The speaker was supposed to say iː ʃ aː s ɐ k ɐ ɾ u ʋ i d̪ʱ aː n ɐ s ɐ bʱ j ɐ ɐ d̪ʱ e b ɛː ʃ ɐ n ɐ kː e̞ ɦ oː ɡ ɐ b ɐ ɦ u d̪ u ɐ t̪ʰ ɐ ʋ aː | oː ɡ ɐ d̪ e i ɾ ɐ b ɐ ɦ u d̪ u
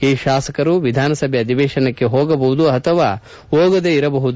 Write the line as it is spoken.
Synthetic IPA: iː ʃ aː s ɐ k ɐ ɾ u ʋ i d̪ʱ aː n ɐ s ɐ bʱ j ɐ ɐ d̪ʱ i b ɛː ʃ ɐ n ɐ kː e̞ ɦ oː ɡ ɐ b ɐ ɦ u d̪ u ɐ t̪ʰ ɐ ʋ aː | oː ɡ ɐ d̪ e i ɾ ɐ b ɐ ɦ u d̪ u